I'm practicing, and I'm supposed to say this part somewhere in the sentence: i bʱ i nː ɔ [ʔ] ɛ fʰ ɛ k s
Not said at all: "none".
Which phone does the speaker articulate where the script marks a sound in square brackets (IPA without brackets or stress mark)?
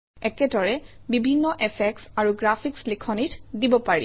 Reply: ʔ